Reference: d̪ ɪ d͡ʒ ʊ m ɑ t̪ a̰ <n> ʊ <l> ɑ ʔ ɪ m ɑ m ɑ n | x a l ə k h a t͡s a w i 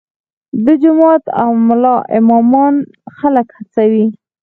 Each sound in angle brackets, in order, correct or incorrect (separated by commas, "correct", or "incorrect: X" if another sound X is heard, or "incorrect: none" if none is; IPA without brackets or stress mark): incorrect: m, correct